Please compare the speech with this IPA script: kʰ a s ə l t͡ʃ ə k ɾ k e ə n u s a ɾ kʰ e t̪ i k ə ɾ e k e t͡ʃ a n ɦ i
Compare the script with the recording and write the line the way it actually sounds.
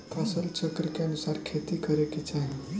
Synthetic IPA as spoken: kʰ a s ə l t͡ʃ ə k ɾ k e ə n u s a ɾ kʰ e t̪ i k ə ɾ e k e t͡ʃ a ɦ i